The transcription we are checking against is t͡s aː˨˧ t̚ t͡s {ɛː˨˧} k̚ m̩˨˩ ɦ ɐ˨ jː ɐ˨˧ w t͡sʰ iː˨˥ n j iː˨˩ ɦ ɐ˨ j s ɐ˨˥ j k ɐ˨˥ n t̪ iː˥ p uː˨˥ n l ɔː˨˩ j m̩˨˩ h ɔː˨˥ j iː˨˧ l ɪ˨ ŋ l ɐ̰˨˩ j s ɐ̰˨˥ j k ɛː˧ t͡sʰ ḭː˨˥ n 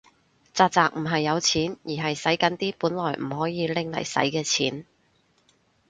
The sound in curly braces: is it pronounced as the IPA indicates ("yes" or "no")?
no